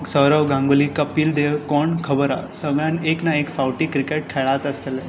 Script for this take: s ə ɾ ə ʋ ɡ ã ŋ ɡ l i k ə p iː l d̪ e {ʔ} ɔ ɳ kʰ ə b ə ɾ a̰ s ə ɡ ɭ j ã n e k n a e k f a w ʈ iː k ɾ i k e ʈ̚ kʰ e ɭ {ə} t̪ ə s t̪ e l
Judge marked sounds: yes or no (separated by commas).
no, no